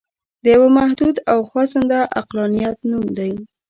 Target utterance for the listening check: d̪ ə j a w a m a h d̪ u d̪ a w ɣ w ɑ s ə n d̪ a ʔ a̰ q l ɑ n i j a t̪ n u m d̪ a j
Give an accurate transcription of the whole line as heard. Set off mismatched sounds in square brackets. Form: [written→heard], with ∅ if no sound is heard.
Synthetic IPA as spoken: d̪ ə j a w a m a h d̪ u d̪ a w [ɣ→x] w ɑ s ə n d̪ a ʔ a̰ q l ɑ n i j a t̪ n u m d̪ a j